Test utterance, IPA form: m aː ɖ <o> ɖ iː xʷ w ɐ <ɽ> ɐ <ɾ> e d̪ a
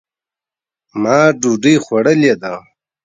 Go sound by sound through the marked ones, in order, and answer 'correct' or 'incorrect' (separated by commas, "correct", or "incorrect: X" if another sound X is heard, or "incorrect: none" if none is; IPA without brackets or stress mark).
incorrect: u, correct, incorrect: l